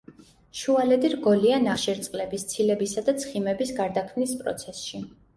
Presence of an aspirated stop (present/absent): present